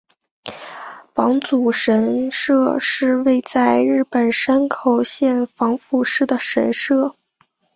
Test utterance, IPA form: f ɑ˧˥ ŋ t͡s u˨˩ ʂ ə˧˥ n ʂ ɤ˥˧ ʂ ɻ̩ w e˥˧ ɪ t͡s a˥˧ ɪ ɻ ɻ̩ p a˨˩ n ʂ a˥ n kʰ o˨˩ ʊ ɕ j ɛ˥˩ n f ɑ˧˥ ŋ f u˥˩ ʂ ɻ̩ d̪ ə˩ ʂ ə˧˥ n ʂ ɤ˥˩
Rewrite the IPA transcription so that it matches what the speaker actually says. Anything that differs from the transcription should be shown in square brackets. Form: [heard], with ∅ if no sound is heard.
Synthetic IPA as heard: f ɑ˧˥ ŋ t͡s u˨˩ ʂ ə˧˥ n ʂ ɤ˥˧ ʂ ɻ̩ w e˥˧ ɪ t͡s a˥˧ ɪ ɻ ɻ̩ p [ə˨˩] n ʂ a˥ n kʰ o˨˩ ʊ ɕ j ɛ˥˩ n f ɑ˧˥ ŋ f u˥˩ ʂ ɻ̩ d̪ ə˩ ʂ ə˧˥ n ʂ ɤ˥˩

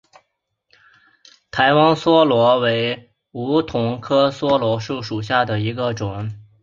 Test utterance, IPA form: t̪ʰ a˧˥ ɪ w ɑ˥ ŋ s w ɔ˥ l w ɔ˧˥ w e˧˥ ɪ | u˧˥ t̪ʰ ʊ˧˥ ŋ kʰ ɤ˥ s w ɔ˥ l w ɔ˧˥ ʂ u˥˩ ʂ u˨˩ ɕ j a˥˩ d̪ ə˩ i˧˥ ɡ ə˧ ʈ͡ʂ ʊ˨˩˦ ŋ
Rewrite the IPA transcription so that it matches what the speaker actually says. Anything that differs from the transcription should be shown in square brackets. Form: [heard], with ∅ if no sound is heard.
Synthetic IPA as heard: t̪ʰ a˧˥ ɪ w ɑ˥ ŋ s w ɔ˥ l w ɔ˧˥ w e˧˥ ɪ | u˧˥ t̪ʰ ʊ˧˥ ŋ kʰ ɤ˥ s w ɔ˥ l w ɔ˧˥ ʂ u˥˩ ʂ u˨˩ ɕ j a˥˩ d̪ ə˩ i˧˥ ɡ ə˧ ʈ͡ʂ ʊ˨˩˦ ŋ

